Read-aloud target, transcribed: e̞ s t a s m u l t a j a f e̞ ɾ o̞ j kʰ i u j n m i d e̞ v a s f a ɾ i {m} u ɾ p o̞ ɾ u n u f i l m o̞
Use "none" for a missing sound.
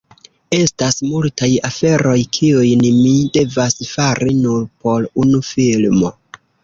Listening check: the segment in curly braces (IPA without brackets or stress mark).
n